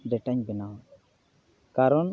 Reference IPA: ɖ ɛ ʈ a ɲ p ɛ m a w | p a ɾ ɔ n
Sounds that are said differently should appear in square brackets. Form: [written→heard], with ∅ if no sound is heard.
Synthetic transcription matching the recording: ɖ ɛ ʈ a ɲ [p→b] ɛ [m→n] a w | [p→k] a ɾ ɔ n